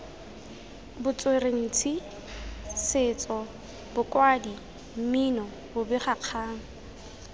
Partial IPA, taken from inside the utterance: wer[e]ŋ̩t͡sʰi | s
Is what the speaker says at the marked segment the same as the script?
yes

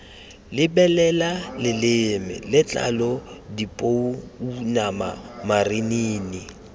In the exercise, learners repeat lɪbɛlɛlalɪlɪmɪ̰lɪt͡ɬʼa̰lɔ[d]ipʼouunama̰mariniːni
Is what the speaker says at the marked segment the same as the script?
yes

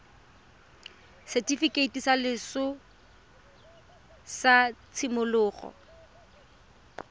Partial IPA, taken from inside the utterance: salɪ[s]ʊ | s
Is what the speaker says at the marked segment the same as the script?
yes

